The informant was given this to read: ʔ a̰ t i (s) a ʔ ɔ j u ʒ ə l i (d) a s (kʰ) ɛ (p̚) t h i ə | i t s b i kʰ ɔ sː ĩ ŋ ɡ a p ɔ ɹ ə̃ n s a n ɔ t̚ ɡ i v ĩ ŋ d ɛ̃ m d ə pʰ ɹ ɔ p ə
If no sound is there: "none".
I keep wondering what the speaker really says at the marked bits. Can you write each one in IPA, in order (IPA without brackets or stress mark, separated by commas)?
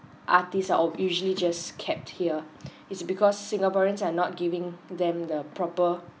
s, d͡ʒ, kʰ, p̚